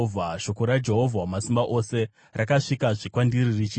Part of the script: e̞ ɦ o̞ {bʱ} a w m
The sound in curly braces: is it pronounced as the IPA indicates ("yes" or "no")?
no